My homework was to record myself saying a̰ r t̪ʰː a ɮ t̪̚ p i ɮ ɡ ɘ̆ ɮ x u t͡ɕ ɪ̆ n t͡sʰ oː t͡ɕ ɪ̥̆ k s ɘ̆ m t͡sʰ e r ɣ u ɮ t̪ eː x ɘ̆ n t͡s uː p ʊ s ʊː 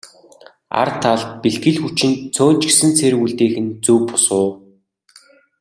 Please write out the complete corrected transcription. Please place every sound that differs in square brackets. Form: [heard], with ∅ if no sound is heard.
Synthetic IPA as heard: a̰ r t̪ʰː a ɮ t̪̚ p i ɮ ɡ ɘ̆ ɮ x u t͡ɕ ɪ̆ n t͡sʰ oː t͡ɕ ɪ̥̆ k s ɘ̆ [n] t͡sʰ e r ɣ u ɮ t̪ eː x ɘ̆ n t͡s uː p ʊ s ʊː